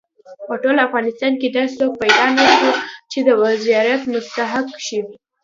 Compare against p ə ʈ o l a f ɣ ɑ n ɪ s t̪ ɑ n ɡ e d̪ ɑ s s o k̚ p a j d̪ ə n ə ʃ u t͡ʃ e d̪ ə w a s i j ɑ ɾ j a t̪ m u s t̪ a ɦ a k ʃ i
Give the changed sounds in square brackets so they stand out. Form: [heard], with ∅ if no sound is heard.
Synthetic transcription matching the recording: p ə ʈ o l a f ɣ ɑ n ɪ s t̪ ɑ n [k] e d̪ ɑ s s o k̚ p a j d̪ [ɑ] n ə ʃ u t͡ʃ e d̪ ə w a [z] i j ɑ ɾ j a t̪ m [ʊ] s t̪ a ɦ a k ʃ i